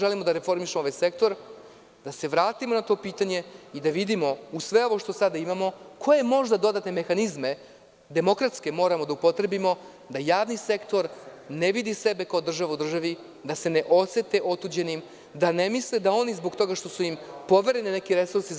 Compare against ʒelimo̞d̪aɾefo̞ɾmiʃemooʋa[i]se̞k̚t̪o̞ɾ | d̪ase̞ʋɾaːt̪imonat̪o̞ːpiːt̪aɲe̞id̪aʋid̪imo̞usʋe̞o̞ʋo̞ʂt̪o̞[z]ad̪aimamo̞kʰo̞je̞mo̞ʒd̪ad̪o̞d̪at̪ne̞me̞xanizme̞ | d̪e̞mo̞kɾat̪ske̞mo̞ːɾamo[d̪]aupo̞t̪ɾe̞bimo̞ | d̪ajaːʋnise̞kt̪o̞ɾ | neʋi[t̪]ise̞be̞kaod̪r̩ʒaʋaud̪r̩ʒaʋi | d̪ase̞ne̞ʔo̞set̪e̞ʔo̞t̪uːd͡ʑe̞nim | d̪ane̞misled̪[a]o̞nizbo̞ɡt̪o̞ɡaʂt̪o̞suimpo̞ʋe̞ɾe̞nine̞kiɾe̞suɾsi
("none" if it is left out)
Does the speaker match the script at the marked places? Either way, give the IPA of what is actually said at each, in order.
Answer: j, s, d̪, d̪, a

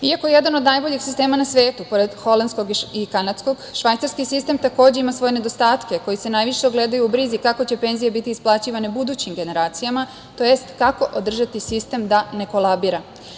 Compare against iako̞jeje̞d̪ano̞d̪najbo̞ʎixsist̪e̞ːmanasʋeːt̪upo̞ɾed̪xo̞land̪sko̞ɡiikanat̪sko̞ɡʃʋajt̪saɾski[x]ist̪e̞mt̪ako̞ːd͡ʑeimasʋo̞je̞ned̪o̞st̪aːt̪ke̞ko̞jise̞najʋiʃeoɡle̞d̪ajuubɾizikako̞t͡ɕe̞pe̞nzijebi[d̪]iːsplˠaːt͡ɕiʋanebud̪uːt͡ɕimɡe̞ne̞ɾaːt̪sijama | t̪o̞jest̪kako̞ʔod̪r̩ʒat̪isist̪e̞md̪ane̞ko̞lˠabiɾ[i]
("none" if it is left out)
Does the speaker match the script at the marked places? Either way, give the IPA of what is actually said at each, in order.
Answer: s, t̪, a

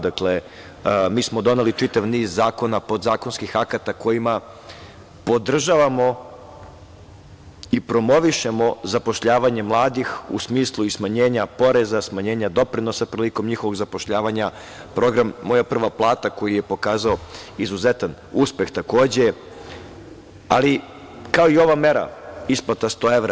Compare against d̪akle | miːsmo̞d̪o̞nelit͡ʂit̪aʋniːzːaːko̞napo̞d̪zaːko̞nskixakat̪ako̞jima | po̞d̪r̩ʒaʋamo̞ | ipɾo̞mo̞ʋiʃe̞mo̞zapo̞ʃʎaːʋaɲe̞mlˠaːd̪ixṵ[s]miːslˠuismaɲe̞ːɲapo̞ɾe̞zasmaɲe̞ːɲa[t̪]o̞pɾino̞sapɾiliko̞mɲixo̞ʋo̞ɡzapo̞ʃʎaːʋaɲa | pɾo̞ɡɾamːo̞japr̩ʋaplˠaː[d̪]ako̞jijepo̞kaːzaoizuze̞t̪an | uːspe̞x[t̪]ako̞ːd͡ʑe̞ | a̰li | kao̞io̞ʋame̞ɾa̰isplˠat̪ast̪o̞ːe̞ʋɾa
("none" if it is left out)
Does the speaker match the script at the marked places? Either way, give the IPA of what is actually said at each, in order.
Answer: s, d̪, t̪, t̪

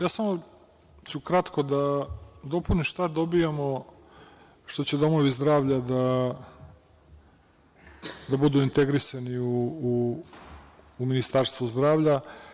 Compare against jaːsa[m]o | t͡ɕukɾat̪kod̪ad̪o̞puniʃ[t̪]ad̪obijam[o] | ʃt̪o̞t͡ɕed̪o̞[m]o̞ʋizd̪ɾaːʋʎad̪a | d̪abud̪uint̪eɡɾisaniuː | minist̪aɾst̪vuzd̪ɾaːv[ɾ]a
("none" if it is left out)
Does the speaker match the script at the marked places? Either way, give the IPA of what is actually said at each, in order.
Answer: m, t̪, o, m, ʎ

